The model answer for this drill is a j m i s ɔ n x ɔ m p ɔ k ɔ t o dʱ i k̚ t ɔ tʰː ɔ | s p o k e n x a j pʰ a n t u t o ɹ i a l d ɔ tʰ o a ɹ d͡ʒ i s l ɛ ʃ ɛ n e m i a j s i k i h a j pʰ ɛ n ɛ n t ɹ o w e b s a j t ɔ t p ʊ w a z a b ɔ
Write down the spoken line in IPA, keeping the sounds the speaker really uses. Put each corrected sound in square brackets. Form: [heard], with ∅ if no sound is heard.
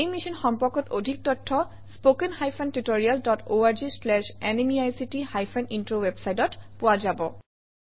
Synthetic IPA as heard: [e] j m i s ɔ n x ɔ m p ɔ k ɔ t o dʱ i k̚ t ɔ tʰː ɔ | s p o k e n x a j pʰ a n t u t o ɹ i a l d ɔ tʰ o a ɹ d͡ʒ i s l ɛ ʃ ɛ n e m i a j s i [t] i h a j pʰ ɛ n [i] n t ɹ o w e b s a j t ɔ t p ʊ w a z a b ɔ